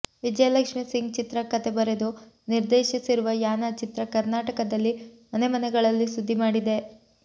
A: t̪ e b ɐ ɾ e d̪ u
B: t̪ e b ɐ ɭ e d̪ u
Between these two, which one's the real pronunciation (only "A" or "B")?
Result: A